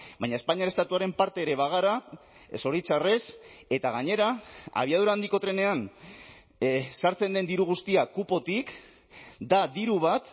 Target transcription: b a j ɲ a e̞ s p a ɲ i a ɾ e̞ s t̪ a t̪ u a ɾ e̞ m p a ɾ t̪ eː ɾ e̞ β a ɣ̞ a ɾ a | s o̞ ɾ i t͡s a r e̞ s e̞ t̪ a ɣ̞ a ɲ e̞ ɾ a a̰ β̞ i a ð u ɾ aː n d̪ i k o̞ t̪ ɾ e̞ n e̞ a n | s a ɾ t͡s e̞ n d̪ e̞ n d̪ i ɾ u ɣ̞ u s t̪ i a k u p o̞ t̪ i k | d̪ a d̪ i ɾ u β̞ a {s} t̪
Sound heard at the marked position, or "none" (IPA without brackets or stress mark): none